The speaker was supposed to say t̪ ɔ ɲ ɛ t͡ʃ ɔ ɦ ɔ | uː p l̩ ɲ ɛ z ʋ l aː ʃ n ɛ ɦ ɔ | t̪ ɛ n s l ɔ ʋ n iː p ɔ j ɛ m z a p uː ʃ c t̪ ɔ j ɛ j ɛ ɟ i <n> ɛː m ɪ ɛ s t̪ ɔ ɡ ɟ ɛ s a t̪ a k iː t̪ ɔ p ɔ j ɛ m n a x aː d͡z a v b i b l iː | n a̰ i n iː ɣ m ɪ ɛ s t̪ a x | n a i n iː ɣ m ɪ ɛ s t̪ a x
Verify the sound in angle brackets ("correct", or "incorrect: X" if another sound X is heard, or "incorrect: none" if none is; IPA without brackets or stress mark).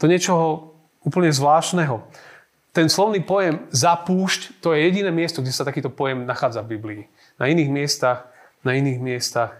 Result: correct